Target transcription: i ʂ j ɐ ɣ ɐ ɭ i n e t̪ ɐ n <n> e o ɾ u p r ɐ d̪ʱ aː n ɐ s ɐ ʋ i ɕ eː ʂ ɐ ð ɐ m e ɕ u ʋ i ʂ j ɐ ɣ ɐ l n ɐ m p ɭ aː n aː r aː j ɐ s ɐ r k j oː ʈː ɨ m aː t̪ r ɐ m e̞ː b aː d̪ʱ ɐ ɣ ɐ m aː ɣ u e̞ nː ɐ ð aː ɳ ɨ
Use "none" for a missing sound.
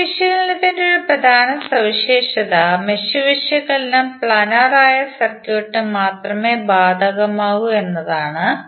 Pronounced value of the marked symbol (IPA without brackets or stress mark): d